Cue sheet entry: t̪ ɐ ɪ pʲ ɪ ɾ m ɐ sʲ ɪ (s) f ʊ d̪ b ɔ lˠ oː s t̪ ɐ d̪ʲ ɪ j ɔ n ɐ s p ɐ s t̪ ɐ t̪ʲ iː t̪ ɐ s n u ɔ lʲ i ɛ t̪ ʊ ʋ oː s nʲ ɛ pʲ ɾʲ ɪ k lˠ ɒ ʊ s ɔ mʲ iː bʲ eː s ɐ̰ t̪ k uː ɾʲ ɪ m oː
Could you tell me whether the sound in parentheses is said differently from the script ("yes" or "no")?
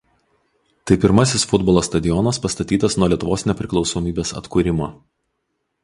no